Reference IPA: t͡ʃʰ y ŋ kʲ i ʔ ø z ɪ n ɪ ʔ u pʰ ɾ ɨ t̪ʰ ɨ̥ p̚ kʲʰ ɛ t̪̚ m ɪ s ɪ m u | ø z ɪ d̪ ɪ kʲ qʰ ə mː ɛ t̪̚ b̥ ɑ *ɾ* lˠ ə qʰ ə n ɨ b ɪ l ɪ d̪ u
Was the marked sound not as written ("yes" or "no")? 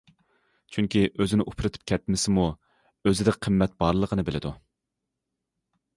no